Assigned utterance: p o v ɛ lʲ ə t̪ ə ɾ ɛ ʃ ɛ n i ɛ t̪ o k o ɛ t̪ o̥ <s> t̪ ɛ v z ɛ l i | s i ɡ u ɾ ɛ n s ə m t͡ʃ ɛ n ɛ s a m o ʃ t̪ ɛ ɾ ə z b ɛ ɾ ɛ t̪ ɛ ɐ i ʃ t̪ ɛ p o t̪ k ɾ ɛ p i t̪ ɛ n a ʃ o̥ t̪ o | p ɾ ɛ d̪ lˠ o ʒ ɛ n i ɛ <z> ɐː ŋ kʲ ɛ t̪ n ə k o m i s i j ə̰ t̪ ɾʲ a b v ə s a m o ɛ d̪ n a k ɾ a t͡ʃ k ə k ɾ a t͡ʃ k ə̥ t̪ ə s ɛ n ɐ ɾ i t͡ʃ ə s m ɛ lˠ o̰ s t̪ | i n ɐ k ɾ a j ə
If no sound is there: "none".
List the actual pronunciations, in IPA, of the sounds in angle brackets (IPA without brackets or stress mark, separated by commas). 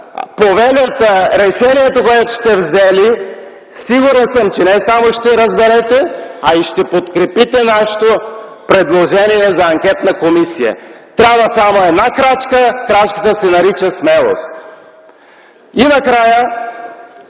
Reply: ʃ, z